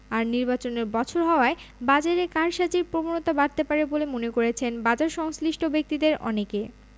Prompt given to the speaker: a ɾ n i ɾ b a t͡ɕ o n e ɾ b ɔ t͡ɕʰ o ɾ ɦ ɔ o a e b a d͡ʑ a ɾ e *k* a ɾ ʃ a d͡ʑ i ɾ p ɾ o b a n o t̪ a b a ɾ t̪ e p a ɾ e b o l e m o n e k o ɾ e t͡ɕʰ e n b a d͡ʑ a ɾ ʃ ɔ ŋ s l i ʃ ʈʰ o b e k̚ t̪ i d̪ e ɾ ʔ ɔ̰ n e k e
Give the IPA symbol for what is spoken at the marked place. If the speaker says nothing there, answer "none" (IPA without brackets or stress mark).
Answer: k